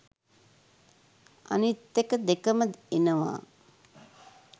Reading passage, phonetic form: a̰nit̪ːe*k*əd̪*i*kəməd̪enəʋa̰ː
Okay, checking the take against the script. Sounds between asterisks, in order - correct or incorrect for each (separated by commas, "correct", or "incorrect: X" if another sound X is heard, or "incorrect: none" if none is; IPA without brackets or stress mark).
correct, incorrect: e